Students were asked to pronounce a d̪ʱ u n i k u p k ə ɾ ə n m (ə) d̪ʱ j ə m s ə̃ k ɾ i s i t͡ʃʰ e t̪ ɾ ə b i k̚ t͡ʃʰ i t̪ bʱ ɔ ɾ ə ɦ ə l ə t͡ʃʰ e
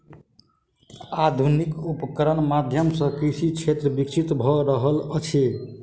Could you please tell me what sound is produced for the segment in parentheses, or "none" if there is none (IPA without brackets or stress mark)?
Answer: a